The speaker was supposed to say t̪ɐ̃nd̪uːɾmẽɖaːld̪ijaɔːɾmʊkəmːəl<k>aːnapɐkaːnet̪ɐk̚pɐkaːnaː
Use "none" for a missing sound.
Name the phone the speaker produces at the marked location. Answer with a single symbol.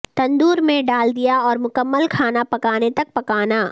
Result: kʰ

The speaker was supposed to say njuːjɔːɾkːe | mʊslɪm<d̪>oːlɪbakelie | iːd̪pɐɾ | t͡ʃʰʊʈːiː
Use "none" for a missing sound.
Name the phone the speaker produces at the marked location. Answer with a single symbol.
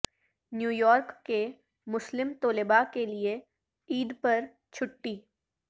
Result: t̪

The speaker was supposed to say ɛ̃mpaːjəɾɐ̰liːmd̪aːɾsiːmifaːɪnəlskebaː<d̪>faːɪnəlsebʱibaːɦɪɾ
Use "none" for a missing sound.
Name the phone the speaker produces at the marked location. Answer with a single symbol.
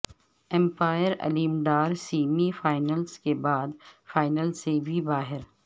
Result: d̪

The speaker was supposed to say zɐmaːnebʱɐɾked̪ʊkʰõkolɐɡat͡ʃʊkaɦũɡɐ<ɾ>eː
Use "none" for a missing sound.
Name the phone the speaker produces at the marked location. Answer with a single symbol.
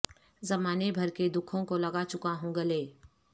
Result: l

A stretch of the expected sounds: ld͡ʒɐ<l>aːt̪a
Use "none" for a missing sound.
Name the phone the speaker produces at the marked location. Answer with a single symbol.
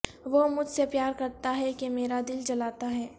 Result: l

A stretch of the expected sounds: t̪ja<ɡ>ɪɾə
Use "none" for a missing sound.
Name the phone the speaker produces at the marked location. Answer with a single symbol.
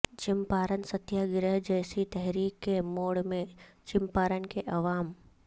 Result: ɡ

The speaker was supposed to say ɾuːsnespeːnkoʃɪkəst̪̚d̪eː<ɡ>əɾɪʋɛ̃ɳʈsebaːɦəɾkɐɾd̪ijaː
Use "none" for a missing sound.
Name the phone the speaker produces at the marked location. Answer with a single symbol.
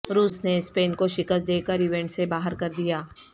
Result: k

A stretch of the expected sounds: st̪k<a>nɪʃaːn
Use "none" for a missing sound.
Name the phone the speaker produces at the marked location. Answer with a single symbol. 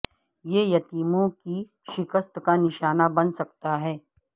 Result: a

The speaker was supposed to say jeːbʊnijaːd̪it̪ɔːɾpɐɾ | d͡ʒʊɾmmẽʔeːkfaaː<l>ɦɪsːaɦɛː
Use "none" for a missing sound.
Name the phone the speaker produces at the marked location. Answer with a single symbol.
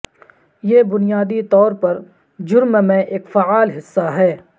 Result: l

